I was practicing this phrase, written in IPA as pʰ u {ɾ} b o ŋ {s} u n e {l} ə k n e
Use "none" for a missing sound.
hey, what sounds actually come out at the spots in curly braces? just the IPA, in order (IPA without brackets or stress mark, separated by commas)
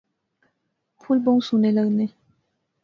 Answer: l, s, l